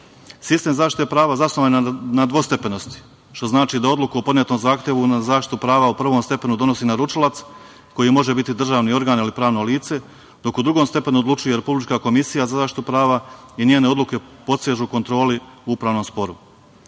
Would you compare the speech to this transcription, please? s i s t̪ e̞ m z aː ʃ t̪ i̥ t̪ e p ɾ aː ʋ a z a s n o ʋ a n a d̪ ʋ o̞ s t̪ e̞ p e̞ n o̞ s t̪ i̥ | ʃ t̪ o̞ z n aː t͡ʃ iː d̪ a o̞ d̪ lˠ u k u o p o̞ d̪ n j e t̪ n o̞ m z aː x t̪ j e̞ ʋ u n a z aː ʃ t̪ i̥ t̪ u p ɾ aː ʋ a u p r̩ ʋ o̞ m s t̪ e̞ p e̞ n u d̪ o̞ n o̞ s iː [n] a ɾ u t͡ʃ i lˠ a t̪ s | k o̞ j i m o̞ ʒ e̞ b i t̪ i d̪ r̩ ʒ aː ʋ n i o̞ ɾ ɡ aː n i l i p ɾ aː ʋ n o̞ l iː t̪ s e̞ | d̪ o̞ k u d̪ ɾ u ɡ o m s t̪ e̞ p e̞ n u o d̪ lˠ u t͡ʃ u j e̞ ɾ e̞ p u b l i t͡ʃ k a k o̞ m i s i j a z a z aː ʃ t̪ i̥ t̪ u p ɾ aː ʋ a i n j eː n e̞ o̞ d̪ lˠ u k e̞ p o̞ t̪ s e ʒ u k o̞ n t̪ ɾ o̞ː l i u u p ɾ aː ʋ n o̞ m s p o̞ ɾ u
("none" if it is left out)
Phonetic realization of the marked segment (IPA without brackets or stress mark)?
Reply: n